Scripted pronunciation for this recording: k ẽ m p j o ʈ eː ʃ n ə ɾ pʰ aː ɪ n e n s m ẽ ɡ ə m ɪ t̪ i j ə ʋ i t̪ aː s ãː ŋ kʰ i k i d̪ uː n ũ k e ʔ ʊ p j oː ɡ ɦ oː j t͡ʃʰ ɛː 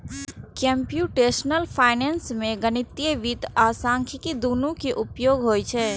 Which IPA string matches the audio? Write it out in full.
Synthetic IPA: k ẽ m p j u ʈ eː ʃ n ə l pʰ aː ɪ n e n s m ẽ ɡ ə n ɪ t̪ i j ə ʋ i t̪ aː s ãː ŋ kʰ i k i d̪ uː n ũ k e ʔ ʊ p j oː ɡ ɦ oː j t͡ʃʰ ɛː